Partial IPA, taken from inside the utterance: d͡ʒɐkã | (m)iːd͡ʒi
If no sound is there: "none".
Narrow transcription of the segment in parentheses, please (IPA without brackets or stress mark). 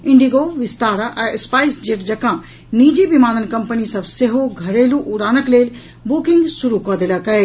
n